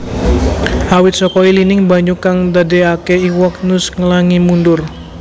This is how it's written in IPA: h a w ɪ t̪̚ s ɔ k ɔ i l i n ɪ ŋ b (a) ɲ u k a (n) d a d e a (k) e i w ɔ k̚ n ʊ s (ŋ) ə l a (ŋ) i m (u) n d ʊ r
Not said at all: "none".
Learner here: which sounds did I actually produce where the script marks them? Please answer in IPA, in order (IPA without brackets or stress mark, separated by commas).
a, ŋ, k, ŋ, ŋ, u